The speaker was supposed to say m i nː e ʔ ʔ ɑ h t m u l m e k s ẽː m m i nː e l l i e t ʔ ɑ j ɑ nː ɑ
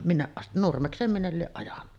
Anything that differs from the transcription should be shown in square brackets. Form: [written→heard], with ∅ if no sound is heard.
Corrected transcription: m i nː e ʔ ʔ ɑ [h→s] t [m→n] u [l→r] m e k s [ẽː→eː] m m i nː e l l i e [t→ʔ] ʔ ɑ j ɑ nː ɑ